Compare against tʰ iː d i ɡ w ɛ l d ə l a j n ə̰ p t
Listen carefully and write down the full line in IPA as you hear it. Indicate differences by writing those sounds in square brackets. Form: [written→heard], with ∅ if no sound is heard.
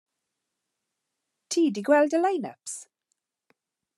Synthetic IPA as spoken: tʰ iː d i ɡ w ɛ l d ə l a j n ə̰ p [t→s]